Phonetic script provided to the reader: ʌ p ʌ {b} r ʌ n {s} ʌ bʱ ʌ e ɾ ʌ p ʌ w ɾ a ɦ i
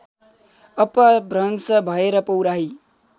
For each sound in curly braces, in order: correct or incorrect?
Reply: correct, correct

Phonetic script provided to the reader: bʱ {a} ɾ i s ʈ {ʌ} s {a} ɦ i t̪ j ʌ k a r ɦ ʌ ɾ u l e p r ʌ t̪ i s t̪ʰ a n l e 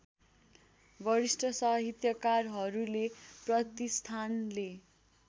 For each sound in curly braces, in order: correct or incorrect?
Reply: incorrect: ʌ, correct, incorrect: ʌ

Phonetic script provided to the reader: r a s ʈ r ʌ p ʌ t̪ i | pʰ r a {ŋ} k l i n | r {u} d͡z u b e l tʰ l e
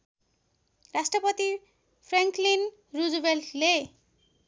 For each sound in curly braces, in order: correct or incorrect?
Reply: correct, correct

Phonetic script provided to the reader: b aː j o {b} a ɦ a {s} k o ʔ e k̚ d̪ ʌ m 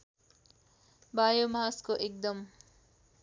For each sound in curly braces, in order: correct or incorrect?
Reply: incorrect: m, correct

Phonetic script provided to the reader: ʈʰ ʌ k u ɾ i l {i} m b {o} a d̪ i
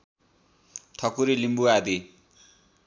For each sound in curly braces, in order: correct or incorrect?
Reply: correct, incorrect: u

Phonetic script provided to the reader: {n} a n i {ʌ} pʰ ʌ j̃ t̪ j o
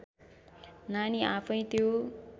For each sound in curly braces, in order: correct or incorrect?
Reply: correct, incorrect: a

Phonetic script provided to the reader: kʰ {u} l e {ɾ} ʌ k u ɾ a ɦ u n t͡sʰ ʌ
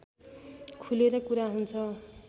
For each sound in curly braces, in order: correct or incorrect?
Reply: correct, correct

